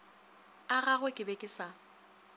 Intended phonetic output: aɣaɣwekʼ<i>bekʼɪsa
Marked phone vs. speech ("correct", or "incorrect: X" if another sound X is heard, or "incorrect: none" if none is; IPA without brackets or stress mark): incorrect: ɪ